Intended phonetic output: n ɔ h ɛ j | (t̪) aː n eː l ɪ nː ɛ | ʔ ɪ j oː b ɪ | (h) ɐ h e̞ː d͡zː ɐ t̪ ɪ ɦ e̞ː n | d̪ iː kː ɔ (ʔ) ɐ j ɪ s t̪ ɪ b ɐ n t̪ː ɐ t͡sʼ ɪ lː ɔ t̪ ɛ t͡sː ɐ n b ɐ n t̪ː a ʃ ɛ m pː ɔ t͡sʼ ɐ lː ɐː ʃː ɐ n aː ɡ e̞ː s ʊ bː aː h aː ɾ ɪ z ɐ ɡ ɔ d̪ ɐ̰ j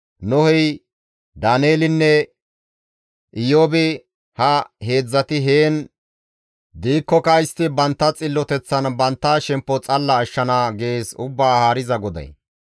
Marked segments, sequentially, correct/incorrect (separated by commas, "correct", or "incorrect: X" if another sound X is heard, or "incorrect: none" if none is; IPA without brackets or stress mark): incorrect: d̪, correct, incorrect: k